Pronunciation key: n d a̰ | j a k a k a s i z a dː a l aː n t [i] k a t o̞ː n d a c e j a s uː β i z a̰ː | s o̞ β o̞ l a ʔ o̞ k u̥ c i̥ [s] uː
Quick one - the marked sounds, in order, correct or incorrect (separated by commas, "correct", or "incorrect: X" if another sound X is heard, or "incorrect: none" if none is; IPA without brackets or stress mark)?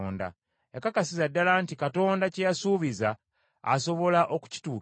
correct, incorrect: t